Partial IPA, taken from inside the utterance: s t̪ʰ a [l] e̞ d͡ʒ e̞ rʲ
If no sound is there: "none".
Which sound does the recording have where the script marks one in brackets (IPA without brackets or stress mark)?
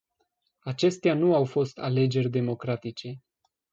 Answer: l